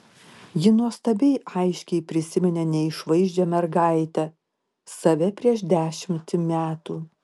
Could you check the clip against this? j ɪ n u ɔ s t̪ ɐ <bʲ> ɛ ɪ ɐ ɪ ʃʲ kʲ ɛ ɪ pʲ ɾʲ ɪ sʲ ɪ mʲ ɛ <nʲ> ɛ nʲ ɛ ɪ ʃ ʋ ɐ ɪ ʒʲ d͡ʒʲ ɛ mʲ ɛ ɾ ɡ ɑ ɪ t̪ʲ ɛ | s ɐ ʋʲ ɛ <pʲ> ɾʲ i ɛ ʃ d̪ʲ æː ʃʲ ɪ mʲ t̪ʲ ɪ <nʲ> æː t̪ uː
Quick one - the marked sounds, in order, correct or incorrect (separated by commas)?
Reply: correct, correct, correct, incorrect